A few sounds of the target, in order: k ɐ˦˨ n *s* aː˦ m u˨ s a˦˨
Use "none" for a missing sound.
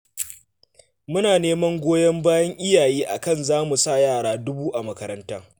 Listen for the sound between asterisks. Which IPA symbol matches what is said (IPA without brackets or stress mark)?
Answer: z